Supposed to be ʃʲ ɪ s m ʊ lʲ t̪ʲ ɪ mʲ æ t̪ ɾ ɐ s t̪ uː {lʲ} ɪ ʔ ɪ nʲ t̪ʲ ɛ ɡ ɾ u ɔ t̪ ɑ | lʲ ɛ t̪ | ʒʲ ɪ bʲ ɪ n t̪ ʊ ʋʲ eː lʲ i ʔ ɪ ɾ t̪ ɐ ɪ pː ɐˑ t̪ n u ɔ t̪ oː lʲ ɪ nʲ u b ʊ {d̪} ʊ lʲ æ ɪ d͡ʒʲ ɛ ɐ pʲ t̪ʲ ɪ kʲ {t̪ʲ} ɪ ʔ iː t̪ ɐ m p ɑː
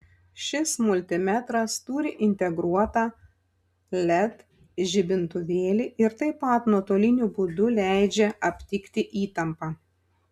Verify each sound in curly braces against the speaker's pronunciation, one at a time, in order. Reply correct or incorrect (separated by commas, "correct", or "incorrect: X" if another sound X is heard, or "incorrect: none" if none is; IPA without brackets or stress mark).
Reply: incorrect: ɾʲ, correct, correct